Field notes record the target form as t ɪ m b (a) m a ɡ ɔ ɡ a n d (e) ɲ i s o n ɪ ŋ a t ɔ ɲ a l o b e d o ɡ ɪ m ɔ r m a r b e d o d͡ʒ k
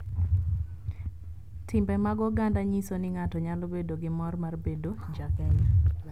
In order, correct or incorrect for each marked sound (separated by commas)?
incorrect, incorrect